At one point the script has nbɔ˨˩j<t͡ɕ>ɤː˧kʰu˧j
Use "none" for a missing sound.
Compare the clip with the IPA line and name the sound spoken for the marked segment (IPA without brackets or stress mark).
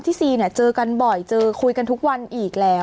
t͡ɕ